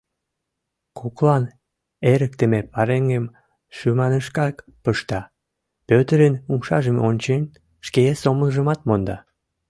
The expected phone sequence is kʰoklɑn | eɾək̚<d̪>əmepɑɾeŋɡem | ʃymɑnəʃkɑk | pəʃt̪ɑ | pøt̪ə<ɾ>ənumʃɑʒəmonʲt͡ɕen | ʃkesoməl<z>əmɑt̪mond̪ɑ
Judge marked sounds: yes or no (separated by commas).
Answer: no, yes, no